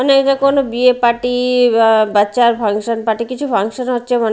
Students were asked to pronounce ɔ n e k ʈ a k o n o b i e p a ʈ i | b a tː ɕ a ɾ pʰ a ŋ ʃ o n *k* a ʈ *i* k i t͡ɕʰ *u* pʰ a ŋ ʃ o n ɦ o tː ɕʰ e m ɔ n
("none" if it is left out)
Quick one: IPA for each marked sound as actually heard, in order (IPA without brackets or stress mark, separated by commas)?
p, i, u